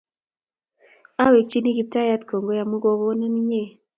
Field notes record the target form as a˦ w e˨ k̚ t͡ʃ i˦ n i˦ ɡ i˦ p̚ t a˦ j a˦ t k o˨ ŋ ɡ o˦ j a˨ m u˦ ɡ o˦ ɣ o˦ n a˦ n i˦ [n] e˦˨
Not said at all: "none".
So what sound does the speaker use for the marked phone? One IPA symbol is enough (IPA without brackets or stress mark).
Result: ɲ